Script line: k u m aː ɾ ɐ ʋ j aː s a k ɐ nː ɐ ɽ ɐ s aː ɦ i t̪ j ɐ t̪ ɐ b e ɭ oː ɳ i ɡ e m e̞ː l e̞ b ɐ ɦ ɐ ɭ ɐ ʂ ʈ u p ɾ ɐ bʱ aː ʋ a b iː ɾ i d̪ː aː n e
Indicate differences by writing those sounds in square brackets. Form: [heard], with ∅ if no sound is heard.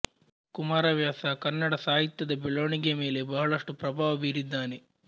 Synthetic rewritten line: k u m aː ɾ ɐ ʋ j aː s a k ɐ nː ɐ ɽ ɐ s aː ɦ i t̪ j ɐ [d̪] ɐ b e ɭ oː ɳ i ɡ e m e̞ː l e̞ b ɐ ɦ ɐ ɭ ɐ ʂ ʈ u p ɾ ɐ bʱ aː ʋ [ɐ] b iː ɾ i d̪ː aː n e